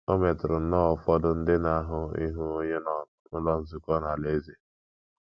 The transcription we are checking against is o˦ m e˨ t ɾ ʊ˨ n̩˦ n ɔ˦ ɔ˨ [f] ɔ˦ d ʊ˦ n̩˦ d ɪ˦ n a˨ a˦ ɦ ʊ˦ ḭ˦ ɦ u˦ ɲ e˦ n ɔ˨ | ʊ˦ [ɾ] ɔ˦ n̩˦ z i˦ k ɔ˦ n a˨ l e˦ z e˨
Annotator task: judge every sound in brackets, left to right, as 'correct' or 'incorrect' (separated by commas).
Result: correct, incorrect